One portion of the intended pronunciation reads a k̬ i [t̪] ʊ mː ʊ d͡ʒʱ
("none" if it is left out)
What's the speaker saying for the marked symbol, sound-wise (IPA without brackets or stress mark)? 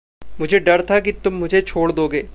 t̪